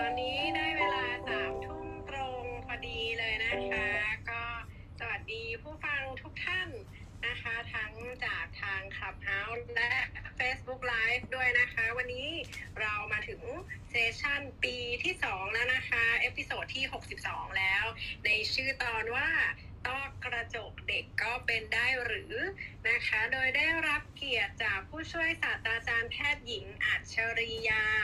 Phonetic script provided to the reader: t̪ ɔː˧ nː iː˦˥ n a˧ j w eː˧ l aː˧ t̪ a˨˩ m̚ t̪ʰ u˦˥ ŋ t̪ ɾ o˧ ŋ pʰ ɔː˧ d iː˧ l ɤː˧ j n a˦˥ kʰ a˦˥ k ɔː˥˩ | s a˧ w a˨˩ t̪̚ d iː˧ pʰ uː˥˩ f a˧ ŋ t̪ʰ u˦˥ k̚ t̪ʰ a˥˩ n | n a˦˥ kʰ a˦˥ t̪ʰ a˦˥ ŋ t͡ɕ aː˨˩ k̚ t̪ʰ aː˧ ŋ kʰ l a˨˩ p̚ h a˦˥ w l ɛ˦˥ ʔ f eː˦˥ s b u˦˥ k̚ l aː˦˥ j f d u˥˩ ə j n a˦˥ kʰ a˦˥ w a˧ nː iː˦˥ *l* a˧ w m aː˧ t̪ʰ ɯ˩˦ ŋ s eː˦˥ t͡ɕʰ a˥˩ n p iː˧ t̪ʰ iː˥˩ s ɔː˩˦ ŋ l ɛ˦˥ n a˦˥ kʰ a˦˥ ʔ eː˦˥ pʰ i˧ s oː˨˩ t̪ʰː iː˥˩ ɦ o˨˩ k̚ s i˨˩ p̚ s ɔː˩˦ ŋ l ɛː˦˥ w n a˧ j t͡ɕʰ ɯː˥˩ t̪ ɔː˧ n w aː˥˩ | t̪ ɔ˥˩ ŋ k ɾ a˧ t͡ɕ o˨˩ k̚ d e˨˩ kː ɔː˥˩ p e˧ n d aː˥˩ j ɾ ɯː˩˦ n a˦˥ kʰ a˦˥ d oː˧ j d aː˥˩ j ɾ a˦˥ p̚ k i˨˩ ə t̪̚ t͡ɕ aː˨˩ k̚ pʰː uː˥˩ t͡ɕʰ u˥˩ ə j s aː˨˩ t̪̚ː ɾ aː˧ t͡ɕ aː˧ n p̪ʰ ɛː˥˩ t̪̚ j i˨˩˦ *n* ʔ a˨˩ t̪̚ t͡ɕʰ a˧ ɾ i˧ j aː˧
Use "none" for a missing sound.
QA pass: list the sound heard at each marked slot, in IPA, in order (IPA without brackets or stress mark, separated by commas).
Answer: ɾ, ŋ